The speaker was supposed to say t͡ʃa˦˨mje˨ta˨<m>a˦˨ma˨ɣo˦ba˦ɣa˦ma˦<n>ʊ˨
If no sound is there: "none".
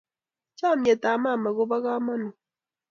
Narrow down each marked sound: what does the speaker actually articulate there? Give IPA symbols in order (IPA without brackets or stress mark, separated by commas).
m, n